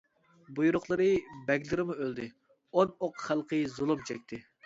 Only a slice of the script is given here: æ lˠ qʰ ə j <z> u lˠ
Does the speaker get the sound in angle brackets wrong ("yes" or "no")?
no